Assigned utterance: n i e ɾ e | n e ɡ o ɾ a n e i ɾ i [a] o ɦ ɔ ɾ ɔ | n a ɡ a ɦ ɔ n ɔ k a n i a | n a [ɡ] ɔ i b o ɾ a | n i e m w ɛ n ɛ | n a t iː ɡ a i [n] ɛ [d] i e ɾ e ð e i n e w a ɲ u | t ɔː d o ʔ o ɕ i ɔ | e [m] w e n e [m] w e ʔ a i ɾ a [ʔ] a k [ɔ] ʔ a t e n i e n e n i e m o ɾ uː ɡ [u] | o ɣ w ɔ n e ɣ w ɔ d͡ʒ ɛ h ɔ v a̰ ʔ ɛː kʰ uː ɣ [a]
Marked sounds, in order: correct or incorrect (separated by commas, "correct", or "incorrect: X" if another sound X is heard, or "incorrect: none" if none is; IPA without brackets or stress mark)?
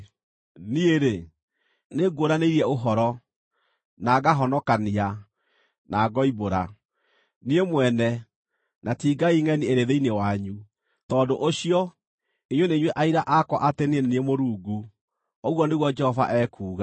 incorrect: ɛ, correct, incorrect: ŋ, incorrect: n, incorrect: ɲ, incorrect: ɲ, correct, correct, correct, correct